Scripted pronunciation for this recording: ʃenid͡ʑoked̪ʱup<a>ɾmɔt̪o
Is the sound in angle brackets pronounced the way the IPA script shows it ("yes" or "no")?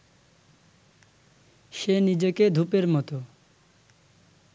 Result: no